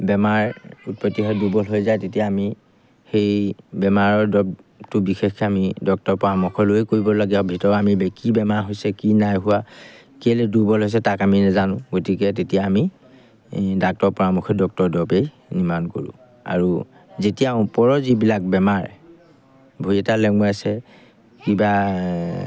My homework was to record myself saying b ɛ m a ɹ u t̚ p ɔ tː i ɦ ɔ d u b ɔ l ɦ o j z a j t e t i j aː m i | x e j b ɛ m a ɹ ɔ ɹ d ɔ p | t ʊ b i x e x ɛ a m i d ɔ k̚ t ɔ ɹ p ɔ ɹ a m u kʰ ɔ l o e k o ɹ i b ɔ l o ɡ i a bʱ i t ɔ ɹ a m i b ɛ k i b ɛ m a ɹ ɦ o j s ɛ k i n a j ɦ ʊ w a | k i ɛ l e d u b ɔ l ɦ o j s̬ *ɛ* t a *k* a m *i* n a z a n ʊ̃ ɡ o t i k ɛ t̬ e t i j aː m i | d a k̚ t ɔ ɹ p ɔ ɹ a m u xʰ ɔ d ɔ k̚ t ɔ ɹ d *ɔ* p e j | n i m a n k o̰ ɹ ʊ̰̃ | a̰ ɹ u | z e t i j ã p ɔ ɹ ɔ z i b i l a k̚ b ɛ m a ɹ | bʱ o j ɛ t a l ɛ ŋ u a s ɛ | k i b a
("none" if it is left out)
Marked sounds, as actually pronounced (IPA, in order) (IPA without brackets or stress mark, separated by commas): ɛ, k, i, ɔ